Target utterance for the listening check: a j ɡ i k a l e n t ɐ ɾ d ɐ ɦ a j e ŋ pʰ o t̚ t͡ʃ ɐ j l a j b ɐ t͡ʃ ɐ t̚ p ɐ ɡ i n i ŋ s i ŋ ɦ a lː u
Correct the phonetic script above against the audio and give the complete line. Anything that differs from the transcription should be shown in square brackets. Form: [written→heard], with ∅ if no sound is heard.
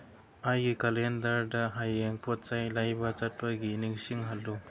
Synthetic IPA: a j ɡ i k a l e n [t→d] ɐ ɾ d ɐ ɦ a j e ŋ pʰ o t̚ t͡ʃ [ɐ→a] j l a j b ɐ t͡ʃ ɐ t̚ p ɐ ɡ i n i ŋ s i ŋ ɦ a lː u